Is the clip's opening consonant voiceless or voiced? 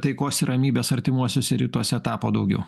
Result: voiceless